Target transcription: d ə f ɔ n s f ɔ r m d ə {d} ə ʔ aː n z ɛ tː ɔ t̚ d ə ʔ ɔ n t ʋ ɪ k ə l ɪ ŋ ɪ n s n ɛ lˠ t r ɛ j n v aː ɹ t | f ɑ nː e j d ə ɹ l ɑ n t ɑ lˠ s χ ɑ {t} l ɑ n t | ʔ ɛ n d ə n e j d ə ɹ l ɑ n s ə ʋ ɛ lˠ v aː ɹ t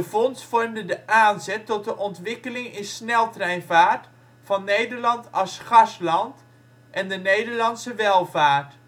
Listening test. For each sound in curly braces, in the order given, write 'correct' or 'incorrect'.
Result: correct, incorrect: s

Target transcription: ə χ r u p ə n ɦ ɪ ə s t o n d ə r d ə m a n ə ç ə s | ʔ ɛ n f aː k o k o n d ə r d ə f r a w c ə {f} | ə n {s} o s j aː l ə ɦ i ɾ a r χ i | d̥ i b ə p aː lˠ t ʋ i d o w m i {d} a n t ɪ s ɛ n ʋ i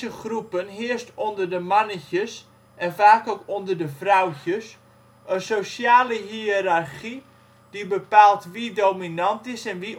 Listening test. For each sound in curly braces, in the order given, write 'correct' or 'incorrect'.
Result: incorrect: s, correct, incorrect: n

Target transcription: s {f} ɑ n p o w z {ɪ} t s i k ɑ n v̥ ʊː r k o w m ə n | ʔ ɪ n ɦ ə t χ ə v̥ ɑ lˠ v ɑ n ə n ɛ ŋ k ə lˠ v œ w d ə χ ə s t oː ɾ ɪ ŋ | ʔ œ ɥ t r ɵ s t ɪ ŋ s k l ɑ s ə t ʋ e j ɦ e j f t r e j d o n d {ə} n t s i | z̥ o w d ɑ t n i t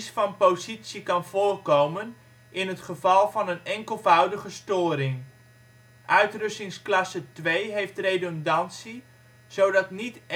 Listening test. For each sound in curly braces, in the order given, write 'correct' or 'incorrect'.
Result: correct, incorrect: i, incorrect: ɑ

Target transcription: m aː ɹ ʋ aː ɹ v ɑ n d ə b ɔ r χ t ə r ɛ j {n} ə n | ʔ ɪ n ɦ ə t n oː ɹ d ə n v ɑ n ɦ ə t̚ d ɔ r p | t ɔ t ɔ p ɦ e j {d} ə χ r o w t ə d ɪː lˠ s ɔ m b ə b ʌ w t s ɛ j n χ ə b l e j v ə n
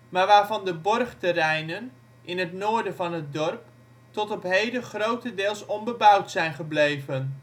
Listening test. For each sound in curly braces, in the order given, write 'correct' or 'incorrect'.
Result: correct, correct

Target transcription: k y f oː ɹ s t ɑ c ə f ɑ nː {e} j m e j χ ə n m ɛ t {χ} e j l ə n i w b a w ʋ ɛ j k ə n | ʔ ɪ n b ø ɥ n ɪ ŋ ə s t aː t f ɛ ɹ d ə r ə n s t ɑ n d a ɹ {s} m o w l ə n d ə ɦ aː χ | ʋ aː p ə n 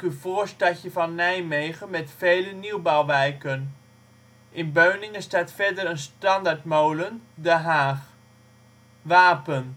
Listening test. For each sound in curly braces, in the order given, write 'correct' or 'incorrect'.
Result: incorrect: ɛ, incorrect: f, incorrect: t

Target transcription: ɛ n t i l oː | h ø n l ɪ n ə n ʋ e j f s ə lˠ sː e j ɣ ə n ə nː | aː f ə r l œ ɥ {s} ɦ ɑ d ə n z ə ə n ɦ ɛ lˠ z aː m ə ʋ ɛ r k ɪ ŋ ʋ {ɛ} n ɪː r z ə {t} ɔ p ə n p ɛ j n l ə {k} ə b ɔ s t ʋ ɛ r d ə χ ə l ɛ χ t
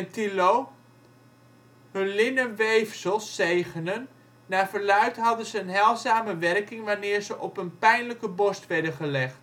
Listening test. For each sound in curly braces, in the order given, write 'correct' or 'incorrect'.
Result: incorrect: t, incorrect: a, incorrect: ʔ, correct

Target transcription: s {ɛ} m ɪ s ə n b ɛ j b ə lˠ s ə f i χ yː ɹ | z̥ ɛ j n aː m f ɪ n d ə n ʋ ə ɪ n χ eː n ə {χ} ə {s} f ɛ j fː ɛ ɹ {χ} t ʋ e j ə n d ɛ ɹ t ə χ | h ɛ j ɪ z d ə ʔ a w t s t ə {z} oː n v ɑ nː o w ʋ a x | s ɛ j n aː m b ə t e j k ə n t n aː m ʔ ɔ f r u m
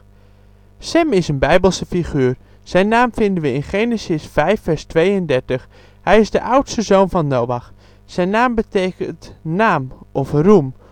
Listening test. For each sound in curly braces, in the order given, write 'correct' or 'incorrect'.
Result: correct, incorrect: s, correct, incorrect: s, correct

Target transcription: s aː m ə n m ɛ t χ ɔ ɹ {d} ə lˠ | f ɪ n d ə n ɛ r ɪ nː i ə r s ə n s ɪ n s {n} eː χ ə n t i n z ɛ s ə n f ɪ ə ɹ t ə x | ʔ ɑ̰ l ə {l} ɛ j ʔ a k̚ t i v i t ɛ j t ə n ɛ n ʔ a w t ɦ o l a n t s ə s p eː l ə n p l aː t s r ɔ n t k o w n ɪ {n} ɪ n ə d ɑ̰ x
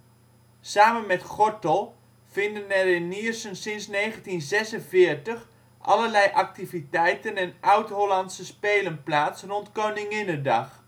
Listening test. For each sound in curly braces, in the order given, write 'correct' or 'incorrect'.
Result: incorrect: t, correct, correct, incorrect: ŋ

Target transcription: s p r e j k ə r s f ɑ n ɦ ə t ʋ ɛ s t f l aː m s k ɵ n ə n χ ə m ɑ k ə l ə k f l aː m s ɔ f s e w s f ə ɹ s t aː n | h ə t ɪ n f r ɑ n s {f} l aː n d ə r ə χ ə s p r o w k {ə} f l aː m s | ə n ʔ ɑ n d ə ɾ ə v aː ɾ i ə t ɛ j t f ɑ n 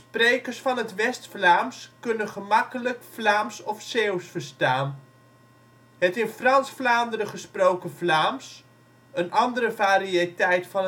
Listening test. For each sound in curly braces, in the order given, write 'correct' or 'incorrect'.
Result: correct, correct

